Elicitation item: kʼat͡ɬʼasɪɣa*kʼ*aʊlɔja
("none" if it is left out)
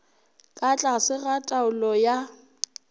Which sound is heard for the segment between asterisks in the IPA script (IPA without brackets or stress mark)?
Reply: tʼ